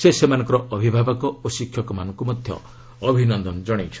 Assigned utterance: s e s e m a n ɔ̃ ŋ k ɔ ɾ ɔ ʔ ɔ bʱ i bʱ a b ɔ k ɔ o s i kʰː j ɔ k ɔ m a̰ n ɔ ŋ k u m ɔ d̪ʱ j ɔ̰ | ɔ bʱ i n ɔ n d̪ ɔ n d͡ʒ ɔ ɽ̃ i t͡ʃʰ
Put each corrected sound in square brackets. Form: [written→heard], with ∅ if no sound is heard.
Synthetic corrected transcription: s e s e m a n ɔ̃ ŋ k ɔ ɾ ɔ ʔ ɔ bʱ i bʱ a b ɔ k ɔ o s i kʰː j ɔ k ɔ m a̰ n ɔ ŋ k u m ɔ d̪ʱ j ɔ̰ | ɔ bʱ i n ɔ n d̪ ɔ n d͡ʒ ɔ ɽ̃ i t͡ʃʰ